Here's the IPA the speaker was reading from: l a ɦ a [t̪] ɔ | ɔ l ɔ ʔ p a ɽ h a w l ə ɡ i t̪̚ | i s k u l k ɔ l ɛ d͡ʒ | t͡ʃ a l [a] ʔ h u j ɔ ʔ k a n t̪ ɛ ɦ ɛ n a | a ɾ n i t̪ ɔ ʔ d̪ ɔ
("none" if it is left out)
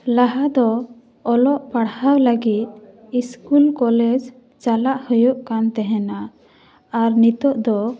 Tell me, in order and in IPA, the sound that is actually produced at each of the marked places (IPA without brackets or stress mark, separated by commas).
d̪, a